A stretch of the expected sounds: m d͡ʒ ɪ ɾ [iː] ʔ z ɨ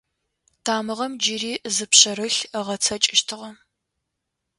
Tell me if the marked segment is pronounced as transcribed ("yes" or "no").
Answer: yes